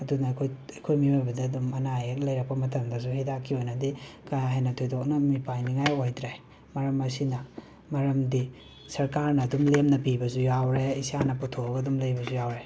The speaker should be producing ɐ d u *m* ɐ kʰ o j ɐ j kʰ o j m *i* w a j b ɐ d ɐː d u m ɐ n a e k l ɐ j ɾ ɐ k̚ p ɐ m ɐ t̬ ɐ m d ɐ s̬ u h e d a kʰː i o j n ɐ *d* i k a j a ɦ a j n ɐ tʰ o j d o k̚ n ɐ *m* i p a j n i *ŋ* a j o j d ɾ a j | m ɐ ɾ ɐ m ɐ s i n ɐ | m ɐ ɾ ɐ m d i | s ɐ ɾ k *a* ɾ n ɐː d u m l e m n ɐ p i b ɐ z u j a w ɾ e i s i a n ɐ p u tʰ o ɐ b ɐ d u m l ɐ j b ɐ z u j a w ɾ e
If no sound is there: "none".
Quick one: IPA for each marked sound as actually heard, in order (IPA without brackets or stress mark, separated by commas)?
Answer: n, i, d, m, ŋ, a